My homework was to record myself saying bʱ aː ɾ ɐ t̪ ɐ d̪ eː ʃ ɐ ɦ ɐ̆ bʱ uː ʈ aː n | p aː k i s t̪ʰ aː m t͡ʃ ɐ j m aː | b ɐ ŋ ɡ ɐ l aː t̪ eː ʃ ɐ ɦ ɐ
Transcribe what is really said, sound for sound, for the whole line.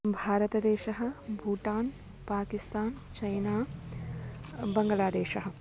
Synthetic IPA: bʱ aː ɾ ɐ t̪ ɐ d̪ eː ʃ ɐ ɦ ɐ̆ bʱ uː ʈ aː n | p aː k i s t̪ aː n t͡ʃ ɐ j n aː | b ɐ ŋ ɡ ɐ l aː d̪ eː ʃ ɐ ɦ ɐ